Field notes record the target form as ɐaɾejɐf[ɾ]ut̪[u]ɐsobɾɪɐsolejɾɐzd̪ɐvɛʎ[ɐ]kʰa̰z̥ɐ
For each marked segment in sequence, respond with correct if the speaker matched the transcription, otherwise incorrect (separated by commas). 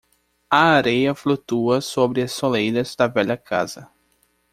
incorrect, correct, correct